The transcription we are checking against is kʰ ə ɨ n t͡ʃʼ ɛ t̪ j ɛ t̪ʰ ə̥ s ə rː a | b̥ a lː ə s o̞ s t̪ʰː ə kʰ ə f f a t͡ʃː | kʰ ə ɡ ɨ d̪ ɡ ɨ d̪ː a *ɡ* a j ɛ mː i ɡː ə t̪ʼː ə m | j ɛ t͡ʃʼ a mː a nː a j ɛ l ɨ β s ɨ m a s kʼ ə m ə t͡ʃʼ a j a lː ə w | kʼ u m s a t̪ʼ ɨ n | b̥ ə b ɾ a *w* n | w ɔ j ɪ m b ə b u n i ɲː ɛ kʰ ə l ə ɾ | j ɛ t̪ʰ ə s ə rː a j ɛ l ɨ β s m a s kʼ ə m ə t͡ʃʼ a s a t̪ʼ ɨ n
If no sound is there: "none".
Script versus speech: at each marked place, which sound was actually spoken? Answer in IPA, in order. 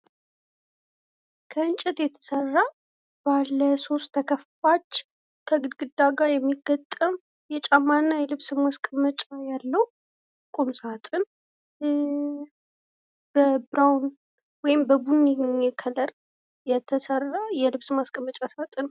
ɡ, w

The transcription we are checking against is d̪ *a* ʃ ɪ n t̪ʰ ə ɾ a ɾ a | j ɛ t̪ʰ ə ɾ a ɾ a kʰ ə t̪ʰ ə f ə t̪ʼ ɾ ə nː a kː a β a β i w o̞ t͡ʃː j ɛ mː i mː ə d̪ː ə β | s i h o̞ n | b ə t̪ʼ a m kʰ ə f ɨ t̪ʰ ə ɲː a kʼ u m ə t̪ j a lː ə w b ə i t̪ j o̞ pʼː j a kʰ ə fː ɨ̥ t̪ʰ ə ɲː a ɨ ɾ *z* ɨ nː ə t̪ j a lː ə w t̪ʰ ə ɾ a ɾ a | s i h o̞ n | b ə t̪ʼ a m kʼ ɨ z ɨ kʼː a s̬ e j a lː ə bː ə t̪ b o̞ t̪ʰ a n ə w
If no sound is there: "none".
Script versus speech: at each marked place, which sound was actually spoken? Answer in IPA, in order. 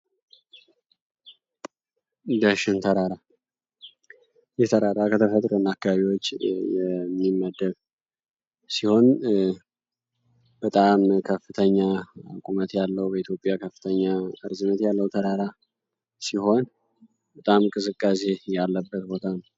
ə, z

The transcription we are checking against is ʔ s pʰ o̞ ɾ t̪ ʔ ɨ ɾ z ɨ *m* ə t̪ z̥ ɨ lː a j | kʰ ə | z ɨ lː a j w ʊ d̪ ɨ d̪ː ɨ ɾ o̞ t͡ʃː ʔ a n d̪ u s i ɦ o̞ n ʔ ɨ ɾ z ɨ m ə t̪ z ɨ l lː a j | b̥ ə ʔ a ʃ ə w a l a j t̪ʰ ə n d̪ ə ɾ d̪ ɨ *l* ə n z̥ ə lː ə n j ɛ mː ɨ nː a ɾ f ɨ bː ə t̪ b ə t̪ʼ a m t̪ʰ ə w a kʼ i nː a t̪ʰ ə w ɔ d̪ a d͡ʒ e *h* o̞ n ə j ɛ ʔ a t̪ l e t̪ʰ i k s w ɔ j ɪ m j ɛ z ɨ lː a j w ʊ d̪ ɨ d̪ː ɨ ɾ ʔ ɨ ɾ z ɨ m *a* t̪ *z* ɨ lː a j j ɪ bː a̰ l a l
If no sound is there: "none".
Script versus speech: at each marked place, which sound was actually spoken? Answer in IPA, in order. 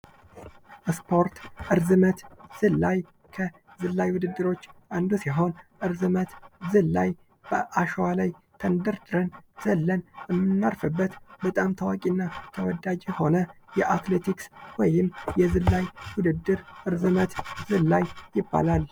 m, ɾ, h, ə, z

